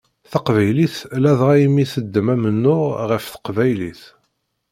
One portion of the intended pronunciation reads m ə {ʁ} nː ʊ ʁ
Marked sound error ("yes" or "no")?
yes